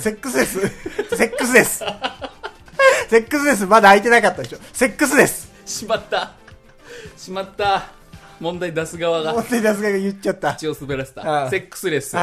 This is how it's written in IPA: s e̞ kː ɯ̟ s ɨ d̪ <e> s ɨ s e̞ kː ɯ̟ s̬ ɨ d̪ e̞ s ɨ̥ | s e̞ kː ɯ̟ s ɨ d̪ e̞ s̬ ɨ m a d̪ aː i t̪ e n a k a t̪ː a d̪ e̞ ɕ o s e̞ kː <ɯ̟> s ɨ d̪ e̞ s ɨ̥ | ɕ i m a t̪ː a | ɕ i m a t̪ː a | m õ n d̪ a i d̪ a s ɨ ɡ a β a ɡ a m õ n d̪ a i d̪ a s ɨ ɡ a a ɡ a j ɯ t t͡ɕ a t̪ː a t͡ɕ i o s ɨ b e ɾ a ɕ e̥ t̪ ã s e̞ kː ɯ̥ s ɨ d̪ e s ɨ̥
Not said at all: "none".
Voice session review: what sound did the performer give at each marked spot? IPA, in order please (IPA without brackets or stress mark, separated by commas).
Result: e, ɯ̟